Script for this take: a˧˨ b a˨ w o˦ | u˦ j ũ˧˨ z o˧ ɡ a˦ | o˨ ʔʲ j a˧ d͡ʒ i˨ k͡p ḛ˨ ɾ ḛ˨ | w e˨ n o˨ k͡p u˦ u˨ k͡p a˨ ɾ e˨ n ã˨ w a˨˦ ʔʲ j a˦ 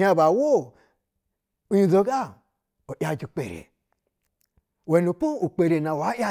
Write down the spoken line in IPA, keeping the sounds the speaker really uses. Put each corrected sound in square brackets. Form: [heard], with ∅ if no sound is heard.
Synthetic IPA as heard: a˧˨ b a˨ w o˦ | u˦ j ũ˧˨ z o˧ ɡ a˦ | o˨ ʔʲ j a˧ d͡ʒ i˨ k͡p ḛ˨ ɾ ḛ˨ | w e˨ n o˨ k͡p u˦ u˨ k͡p [e˨] ɾ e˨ n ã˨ w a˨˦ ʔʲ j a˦